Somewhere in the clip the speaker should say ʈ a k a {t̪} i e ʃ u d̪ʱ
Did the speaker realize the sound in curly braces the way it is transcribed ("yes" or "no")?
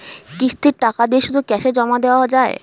no